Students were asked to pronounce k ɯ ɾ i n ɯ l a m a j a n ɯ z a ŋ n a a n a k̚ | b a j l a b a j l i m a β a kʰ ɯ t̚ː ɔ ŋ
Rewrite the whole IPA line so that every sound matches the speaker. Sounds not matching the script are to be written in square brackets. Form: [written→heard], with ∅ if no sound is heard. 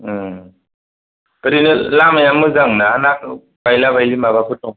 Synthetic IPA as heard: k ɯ ɾ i n ɯ l a m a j a [n→m] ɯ z a ŋ n a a n a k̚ | b a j l a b a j l i m a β a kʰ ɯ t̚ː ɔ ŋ